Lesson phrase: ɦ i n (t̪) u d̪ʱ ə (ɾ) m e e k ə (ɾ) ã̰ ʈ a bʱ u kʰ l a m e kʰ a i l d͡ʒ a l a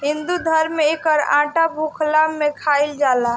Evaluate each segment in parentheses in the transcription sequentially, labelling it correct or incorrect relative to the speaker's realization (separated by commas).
incorrect, correct, correct